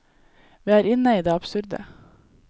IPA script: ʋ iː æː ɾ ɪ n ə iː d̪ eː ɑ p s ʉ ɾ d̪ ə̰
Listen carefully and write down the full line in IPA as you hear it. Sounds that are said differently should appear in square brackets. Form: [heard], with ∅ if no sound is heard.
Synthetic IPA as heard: ʋ iː æː ɾ ɪ n ə iː d̪ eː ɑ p s ʉ ɾ d̪ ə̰